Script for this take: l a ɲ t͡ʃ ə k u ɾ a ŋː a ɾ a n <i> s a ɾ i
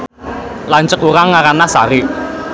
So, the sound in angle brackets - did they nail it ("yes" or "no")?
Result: no